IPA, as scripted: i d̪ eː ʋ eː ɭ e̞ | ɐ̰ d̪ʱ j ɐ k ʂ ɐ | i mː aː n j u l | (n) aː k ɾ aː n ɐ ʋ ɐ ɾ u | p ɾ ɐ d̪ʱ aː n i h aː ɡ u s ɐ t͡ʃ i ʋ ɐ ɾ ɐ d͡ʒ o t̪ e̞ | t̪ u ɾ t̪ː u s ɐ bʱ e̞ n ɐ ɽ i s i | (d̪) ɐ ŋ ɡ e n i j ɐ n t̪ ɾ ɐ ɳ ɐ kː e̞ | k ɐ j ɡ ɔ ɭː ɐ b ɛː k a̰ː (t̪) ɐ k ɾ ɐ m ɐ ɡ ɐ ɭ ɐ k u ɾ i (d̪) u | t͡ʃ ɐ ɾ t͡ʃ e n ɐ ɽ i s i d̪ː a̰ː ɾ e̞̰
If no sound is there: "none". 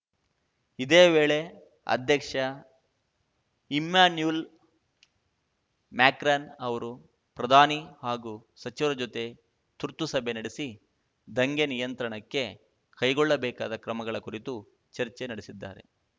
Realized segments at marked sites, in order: m, d̪, d̪, t̪

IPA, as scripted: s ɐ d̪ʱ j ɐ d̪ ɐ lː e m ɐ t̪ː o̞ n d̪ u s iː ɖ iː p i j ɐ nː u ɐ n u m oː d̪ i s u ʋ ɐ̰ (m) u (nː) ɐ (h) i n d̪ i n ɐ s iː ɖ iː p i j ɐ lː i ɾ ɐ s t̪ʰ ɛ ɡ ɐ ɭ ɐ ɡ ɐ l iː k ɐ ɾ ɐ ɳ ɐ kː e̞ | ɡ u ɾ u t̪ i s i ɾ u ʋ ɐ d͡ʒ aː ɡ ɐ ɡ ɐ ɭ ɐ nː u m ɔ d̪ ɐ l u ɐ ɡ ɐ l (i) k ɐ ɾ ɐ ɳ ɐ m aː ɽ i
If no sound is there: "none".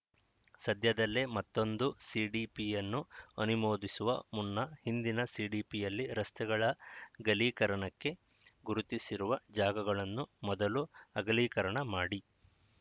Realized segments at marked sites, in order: m, nː, h, iː

